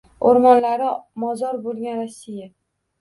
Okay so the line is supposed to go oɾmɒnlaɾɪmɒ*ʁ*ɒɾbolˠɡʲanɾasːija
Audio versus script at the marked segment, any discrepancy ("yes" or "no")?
yes